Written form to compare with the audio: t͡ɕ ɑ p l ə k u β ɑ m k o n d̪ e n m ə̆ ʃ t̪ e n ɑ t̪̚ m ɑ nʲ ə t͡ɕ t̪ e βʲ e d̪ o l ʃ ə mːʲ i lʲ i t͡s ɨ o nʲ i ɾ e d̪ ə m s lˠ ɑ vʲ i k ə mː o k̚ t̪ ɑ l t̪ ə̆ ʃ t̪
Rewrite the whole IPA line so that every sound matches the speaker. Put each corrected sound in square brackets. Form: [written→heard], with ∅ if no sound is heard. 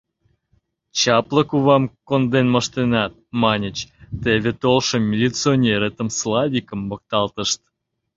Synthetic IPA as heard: t͡ɕ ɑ p l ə k u β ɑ m k o n d̪ e n m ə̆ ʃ t̪ e n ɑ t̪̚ m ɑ nʲ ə t͡ɕ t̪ e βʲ e [d̪→t̪] o l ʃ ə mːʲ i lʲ i t͡s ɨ o nʲ [i→e] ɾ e [d̪→t̪] ə m s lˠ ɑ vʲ i k ə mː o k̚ t̪ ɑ l t̪ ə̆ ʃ t̪